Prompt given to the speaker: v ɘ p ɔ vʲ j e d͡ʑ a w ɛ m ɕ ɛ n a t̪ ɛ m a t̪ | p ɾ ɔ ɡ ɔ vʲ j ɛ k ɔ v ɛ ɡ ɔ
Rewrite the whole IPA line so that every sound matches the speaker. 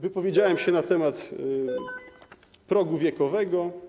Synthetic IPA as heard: v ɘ p ɔ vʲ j e d͡ʑ a w ɛ m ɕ ɛ n a t̪ ɛ m a t̪ | p ɾ ɔ ɡ u vʲ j ɛ k ɔ v ɛ ɡ ɔ

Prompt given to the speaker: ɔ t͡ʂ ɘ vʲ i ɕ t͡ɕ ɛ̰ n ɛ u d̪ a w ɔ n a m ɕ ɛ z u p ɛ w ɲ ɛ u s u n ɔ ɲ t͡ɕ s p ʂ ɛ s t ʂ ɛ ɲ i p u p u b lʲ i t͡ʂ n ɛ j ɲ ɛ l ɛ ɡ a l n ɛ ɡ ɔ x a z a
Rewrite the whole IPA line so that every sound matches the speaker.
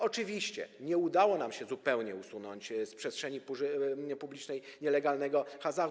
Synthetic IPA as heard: ɔ t͡ʂ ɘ vʲ i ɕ t͡ɕ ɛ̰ ɲ ɛ u d̪ a w ɔ n a m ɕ ɛ z u p ɛ w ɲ ɛ u s u n ɔ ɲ t͡ɕ s p ʂ ɛ s t ʂ ɛ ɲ i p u p u b lʲ i t͡ʂ n ɛ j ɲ ɛ l ɛ ɡ a l n ɛ ɡ ɔ x a z a

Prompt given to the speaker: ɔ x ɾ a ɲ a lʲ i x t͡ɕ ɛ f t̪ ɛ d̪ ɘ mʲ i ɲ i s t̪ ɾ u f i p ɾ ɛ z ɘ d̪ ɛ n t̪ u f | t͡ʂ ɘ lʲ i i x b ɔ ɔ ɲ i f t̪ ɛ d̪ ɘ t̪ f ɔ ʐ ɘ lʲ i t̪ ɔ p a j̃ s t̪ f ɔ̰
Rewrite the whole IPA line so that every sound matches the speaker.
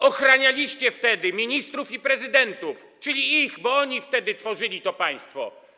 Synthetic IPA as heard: ɔ x ɾ a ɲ a lʲ i ɕ t͡ɕ ɛ f t̪ ɛ d̪ ɘ mʲ i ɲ i s t̪ ɾ u f i p ɾ ɛ z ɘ d̪ ɛ n t̪ u f | t͡ʂ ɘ lʲ i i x b ɔ ɔ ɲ i f t̪ ɛ d̪ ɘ t̪ f ɔ ʐ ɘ lʲ i t̪ ɔ p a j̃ s t̪ f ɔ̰

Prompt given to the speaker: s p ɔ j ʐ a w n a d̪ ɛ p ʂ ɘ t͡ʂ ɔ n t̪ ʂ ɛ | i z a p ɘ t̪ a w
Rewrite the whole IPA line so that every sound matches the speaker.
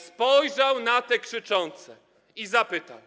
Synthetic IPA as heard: s p ɔ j ʐ a w n a t̪ ɛ k ʂ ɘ t͡ʂ ɔ n t̪ s ɛ | i z a p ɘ t̪ a w

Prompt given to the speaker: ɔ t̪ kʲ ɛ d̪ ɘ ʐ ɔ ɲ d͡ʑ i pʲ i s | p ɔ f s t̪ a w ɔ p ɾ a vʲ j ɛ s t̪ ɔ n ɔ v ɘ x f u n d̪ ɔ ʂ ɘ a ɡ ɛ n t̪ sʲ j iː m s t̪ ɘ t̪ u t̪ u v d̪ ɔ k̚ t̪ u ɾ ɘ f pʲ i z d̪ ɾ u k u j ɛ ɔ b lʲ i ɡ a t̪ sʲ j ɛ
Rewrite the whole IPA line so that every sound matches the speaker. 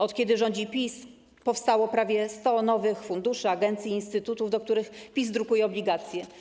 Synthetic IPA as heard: ɔ t̪ kʲ ɛ d̪ ɘ ʐ ɔ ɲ d͡ʑ i pʲ i s | p ɔ f s t̪ a w ɔ p ɾ a vʲ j ɛ s t̪ ɔ n ɔ v ɘ x f u n d̪ u ʂ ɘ a ɡ ɛ n t̪ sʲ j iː n s t̪ ɘ t̪ u t̪ u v d̪ ɔ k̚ t̪ u ɾ ɘ x pʲ i z d̪ ɾ u k u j ɛ ɔ b lʲ i ɡ a t̪ sʲ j ɛ

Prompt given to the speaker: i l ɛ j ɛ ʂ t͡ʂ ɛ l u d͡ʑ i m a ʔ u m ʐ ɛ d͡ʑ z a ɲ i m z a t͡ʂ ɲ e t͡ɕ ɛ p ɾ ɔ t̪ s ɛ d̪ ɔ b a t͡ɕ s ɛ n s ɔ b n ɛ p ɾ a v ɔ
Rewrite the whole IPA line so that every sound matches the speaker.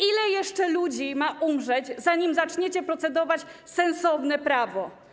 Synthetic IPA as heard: i l ɛ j ɛ ʂ t͡ʂ ɛ l u d͡ʑ i m a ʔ u m ʐ ɛ d͡ʑ z a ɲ i m z a t͡ʂ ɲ e t͡ɕ ɛ p ɾ ɔ t̪ s ɛ d̪ ɔ v a t͡ɕ s ɛ n s ɔ v n ɛ p ɾ a v ɔ

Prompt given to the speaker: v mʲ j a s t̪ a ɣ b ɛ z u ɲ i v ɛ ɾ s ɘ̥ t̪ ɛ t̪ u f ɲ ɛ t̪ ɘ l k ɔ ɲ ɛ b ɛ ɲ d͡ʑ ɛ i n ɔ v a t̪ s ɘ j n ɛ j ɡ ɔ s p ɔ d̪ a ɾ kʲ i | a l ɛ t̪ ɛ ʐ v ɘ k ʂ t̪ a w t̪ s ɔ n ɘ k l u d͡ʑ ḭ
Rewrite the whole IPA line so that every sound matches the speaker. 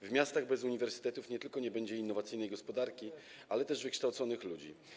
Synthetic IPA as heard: v mʲ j a s t̪ a ɣ b ɛ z u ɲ i v ɛ ɾ s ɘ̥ t̪ ɛ t̪ u f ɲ ɛ t̪ ɘ l k ɔ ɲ ɛ b ɛ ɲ d͡ʑ ɛ i nː ɔ v a t̪ s ɘ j n ɛ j ɡ ɔ s p ɔ d̪ a ɾ kʲ i | a l ɛ t̪ ɛ ʐ v ɘ k ʂ t̪ a w t̪ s ɔ n ɘ x l u d͡ʑ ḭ

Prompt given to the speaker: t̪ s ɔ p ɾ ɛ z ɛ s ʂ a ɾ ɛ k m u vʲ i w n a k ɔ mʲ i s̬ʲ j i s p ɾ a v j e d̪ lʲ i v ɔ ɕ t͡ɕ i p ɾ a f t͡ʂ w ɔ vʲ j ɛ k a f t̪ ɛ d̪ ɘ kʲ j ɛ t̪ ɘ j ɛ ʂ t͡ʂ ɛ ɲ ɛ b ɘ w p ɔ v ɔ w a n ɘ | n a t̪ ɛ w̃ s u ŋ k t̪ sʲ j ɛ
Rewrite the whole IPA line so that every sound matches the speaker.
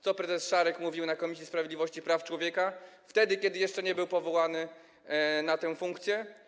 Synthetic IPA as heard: t̪ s ɔ p ɾ ɛ z ɛ s ʂ a ɾ ɛ k m u vʲ i w n a k ɔ mʲ i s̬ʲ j i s p ɾ a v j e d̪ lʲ i v ɔ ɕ t͡ɕ i p ɾ a f t͡ʂ w ɔ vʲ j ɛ k a f t̪ ɛ d̪ ɘ kʲ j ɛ d̪ ɘ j ɛ ʂ t͡ʂ ɛ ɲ ɛ b ɘ w p ɔ v ɔ w a n ɘ | n a t̪ ɛ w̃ f u ŋ k t̪ sʲ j ɛ

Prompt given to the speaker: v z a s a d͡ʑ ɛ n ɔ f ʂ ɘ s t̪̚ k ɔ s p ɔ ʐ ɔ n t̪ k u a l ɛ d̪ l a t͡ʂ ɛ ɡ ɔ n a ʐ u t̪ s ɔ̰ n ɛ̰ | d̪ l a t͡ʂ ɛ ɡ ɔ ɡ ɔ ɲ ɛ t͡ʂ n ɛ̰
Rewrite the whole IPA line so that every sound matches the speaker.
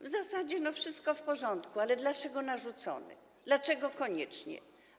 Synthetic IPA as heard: v z a s a d͡ʑ ɛ n ɔ f ʂ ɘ s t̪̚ k ɔ f p ɔ ʐ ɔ n t̪ k u a l ɛ d̪ l a t͡ʂ ɛ ɡ ɔ n a ʐ u t̪ s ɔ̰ n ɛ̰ | d̪ l a t͡ʂ ɛ ɡ ɔ k ɔ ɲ ɛ t͡ʂ ɲ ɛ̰

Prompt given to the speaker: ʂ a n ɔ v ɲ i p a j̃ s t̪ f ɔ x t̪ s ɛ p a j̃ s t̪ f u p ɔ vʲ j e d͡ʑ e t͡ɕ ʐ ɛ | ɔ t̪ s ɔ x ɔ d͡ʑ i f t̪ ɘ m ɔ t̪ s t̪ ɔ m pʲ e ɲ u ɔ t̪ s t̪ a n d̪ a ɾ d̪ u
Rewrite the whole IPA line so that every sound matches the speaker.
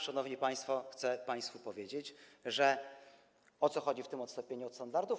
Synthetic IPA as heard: ʂ a n ɔ v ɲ i p a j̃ s t̪ f ɔ x t̪ s ɛ p a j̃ s t̪ f u p ɔ vʲ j e d͡ʑ e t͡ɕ ʐ ɛ | ɔ t̪ s ɔ x ɔ d͡ʑ i f t̪ ɘ m ɔ t̪ s t̪ ɔ m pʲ e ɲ u ɔ t̪ s t̪ a n d̪ a ɾ d̪ u

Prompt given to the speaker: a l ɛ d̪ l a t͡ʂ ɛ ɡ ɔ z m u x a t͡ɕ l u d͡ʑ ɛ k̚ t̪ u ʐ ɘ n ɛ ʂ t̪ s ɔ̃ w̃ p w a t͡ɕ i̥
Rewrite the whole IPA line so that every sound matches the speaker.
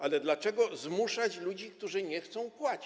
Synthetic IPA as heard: a l ɛ d̪ l a t͡ʂ ɛ ɡ ɔ z m u ʂ a t͡ɕ l u d͡ʑ i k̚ t̪ u ʐ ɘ ɲ ɛ x t̪ s ɔ̃ w̃ p w a t͡ɕ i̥

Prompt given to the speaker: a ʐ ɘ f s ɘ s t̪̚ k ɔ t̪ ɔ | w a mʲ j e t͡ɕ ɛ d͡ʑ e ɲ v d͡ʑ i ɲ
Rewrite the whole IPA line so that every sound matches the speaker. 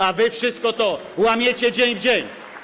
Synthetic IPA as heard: a v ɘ f ʂ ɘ s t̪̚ k ɔ t̪ ɔ | w a mʲ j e t͡ɕ ɛ d͡ʑ e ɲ v d͡ʑ e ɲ

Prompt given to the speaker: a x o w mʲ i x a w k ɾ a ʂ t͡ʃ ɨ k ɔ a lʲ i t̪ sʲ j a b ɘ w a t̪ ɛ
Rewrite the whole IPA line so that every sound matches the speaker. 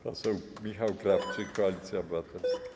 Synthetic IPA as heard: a s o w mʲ i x a w k ɾ a f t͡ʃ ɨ k ɔ a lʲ i t̪ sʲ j a b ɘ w a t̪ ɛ

